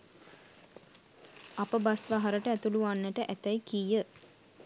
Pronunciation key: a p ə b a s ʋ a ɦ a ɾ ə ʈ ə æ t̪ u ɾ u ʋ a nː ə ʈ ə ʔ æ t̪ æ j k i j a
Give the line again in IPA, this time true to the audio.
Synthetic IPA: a p ə b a s ʋ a ɦ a ɾ ə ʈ ə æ t̪ u l u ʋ a nː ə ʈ ə ʔ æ t̪ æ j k i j ə